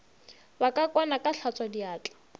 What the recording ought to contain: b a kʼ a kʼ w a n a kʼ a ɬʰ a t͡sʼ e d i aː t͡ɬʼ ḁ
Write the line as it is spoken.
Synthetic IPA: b a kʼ a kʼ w a n a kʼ a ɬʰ a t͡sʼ a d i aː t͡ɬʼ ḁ